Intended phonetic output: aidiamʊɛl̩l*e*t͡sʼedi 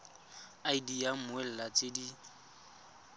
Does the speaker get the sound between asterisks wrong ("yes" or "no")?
yes